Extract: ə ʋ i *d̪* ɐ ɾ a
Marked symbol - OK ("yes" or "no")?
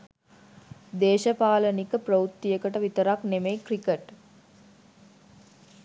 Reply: no